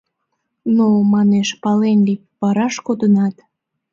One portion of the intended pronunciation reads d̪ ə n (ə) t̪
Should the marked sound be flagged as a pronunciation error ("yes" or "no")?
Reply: yes